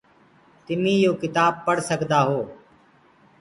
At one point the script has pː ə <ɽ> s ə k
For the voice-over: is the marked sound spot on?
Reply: yes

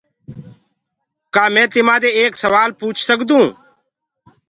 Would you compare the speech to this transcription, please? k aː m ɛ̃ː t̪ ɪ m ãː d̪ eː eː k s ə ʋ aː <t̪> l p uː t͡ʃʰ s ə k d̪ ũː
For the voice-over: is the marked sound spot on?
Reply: no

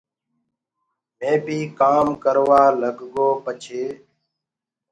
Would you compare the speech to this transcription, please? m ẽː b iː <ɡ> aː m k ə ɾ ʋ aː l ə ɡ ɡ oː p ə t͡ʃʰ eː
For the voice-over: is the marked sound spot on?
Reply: no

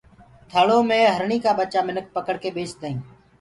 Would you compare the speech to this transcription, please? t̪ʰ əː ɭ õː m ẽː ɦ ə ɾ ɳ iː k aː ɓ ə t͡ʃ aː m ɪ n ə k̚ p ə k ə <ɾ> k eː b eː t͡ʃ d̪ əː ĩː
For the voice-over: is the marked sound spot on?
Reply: no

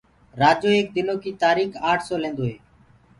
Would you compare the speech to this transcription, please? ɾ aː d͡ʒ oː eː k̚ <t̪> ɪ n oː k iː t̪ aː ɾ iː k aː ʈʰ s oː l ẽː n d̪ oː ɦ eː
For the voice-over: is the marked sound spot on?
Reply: no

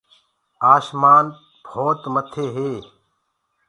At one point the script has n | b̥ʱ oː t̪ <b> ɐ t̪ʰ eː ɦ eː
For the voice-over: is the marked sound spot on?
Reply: no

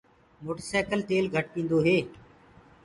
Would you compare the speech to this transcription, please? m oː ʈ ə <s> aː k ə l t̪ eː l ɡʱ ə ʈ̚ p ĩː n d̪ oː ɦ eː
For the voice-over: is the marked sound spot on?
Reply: yes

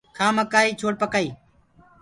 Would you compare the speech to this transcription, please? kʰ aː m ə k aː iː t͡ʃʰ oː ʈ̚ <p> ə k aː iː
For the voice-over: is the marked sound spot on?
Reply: yes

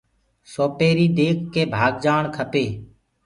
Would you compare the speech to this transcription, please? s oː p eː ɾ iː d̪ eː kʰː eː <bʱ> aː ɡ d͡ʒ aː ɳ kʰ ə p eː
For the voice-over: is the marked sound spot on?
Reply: yes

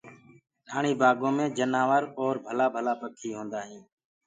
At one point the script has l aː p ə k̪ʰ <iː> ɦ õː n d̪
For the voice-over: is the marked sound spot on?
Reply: yes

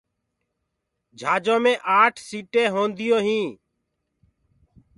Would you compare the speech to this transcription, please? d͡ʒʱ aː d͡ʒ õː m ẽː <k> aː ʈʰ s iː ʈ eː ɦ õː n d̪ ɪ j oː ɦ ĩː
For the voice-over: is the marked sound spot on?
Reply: no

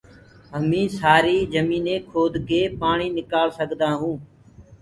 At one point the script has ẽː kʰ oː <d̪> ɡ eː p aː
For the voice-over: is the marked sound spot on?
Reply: yes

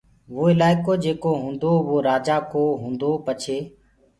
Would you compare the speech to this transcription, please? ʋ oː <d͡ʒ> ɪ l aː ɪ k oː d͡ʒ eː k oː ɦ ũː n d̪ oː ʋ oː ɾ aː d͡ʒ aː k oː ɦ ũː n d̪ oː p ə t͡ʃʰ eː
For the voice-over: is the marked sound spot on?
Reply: no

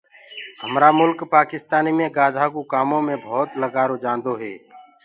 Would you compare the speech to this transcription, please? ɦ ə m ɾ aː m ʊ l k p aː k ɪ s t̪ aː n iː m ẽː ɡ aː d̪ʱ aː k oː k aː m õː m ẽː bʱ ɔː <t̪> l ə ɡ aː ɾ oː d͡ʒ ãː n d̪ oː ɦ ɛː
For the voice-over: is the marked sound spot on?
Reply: yes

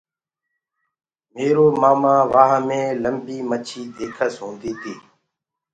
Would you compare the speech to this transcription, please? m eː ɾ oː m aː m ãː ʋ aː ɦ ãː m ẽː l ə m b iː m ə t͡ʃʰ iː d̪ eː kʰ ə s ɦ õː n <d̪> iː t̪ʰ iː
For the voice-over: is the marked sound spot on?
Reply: yes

